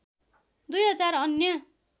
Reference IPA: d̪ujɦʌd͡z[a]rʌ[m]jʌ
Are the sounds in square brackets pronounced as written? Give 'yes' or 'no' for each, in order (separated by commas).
yes, no